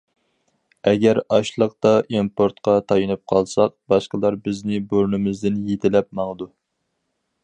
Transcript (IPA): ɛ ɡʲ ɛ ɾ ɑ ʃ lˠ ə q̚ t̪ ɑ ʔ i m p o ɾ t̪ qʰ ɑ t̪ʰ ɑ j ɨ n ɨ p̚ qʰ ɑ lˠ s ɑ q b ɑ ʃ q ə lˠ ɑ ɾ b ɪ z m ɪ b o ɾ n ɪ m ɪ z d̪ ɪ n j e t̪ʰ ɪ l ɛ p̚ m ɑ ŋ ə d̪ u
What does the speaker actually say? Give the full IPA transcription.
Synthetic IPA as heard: ɛ ɡʲ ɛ ɾ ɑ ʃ lˠ ə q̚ t̪ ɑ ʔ i m p o ɾ t̪ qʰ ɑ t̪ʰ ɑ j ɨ n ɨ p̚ qʰ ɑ lˠ s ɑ q b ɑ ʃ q ə lˠ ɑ ɾ b ɪ z n ɪ b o ɾ n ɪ m ɪ z d̪ ɪ n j e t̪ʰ ɪ l ɛ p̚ m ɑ ŋ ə d̪ u